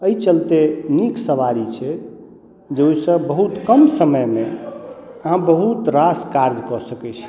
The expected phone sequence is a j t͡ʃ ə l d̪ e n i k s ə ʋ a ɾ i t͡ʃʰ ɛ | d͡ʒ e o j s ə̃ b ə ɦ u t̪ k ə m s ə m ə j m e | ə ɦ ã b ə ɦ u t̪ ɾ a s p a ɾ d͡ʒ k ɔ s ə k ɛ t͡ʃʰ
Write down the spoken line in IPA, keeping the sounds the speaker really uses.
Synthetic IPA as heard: ə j t͡ʃ ə l t̪ e n i k s ə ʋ a ɾ i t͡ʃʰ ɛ | d͡ʒ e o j s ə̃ b ə ɦ u t̪ k ə m s ə m ə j m e | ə ɦ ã b ə ɦ u t̪ ɾ a s k a ɾ d͡ʒ k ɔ s ə k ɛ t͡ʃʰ